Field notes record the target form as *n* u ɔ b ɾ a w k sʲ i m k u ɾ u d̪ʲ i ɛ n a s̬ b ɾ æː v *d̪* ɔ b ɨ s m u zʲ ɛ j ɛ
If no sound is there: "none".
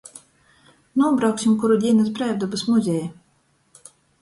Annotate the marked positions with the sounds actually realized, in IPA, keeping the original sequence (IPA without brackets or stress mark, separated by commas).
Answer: n, d̪